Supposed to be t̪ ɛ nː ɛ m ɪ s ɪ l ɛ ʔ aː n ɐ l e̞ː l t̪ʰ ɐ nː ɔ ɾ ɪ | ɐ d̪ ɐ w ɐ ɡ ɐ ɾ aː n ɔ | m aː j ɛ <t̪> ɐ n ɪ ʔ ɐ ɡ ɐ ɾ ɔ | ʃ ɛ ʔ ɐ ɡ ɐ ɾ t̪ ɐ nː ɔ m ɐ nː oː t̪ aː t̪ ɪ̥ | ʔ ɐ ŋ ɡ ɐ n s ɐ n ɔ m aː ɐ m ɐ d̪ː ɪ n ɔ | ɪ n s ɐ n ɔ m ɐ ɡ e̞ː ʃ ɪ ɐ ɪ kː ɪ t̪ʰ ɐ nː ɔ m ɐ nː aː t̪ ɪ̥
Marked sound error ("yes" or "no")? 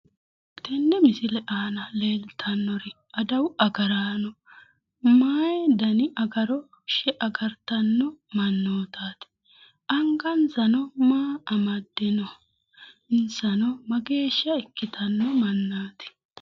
yes